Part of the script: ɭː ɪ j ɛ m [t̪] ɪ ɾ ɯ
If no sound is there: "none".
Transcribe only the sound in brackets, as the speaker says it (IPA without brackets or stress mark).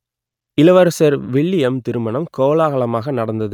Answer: t̪